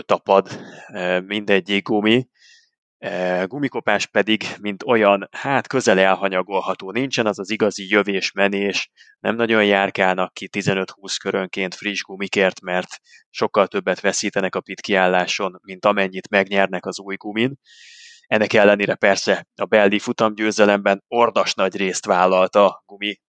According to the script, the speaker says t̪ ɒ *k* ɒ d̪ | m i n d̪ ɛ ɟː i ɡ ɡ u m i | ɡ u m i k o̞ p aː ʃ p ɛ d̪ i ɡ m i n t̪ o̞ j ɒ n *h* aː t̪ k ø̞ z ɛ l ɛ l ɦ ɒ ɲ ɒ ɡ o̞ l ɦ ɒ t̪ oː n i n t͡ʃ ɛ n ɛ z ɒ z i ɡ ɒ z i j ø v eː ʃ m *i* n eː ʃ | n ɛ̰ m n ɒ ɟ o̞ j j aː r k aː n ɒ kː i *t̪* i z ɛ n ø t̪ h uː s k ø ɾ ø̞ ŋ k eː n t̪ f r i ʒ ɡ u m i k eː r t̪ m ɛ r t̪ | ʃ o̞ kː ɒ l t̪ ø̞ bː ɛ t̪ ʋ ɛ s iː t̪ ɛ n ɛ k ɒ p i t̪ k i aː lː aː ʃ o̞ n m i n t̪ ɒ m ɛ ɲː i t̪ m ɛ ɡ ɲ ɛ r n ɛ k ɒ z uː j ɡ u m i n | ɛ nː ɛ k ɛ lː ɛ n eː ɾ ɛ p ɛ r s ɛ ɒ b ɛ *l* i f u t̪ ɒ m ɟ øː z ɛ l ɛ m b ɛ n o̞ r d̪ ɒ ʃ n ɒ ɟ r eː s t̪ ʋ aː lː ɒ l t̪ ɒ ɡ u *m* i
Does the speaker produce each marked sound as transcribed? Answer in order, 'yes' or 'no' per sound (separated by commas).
no, yes, no, yes, no, yes